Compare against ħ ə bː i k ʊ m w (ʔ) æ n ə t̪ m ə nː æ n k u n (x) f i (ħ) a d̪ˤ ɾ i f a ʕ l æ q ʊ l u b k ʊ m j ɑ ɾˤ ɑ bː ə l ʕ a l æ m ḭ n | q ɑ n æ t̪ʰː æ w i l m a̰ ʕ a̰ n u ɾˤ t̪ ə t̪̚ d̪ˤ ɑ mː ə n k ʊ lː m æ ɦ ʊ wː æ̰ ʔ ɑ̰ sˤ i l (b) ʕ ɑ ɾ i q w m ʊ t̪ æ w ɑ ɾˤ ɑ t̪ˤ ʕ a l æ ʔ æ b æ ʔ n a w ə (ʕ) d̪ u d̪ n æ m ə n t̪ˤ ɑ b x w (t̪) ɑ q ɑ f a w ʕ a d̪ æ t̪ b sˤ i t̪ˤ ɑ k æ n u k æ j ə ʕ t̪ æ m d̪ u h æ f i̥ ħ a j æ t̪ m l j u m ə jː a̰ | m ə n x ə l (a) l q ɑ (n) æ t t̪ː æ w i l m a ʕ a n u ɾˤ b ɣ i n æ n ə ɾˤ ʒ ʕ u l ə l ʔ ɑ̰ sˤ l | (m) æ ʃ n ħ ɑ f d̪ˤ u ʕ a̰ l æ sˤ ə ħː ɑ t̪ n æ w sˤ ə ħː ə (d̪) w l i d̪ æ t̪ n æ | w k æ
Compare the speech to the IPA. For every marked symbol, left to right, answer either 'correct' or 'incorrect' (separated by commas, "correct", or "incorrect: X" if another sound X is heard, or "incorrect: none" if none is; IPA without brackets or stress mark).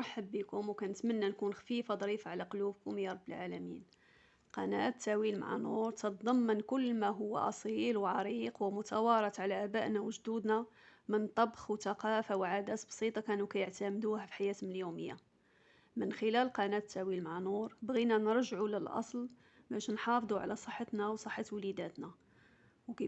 incorrect: k, correct, incorrect: f, incorrect: w, incorrect: ʒ, correct, incorrect: æ, correct, incorrect: b, incorrect: t̪